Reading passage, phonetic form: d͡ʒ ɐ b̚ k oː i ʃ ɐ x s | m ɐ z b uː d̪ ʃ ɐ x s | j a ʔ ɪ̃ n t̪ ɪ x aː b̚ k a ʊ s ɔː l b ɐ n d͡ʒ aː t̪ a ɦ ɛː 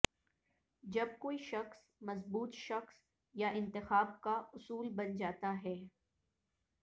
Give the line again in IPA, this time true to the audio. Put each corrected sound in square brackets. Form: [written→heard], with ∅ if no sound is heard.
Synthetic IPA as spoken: d͡ʒ ɐ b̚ k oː i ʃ ɐ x s | m ɐ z b uː [d̪→t̪] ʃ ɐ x s | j a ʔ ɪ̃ n t̪ ɪ x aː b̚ k a ʊ s [ɔː→uː] l b ɐ n d͡ʒ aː t̪ a ɦ ɛː